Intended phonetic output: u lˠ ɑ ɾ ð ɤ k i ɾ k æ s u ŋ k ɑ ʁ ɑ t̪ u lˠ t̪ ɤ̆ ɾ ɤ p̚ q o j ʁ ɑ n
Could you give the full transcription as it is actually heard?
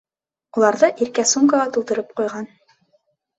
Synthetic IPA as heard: u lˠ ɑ ɾ ð ɤ ʔ i ɾ k æ s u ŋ k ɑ ʁ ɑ t̪ u lˠ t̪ ɤ̆ ɾ ɤ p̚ q u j ʁ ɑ n